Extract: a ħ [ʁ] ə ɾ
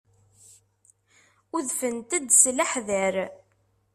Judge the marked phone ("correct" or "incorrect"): incorrect